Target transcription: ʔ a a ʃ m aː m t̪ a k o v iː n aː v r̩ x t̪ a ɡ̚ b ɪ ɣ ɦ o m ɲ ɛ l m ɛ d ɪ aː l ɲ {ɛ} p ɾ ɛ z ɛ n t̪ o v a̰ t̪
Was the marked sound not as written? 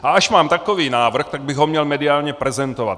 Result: no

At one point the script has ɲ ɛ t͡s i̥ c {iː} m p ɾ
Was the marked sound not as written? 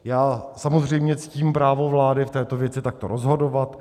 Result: no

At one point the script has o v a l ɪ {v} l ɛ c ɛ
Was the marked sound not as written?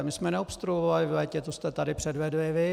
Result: no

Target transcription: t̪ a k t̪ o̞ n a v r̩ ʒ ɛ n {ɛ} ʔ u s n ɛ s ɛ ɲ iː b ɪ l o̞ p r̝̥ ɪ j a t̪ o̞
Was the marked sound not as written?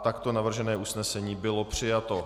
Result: yes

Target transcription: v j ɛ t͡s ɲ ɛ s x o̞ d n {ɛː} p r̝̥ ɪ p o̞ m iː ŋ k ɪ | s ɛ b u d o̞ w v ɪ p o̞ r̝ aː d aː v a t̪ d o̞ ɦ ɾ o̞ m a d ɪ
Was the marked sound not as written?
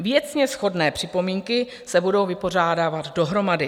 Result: no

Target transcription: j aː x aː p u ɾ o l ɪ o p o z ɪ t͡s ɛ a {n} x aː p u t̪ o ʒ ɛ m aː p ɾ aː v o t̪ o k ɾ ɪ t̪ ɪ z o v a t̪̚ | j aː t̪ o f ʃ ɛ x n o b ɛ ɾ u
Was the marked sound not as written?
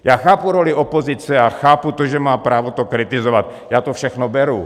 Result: yes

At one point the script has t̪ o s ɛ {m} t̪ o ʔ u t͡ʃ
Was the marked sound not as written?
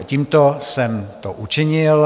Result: no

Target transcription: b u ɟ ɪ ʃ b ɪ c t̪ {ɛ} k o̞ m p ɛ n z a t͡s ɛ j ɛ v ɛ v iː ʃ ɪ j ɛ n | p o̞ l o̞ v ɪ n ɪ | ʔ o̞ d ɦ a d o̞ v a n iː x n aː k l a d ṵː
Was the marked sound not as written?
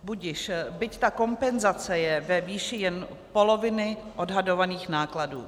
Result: yes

